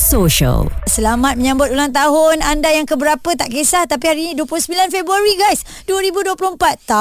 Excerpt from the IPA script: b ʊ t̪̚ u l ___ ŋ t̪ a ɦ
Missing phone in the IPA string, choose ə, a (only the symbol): a